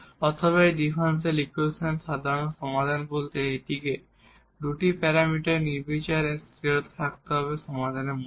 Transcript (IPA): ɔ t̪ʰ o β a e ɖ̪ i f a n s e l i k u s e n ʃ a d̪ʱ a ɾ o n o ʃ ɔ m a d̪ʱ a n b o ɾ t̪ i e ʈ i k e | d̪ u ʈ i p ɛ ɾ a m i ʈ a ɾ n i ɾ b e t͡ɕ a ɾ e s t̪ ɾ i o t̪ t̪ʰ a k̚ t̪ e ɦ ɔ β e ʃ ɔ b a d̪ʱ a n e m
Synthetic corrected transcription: ɔ t̪ʰ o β a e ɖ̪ i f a n s e l i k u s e n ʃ a d̪ʱ a ɾ o n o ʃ ɔ m a d̪ʱ a n b o l t̪ e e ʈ i k e | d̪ u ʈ i p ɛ ɾ a m i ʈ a ɾ n i ɾ b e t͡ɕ a ɾ e s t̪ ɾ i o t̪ t̪ʰ a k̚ t̪ e ɦ ɔ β e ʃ ɔ m a d̪ʱ a n e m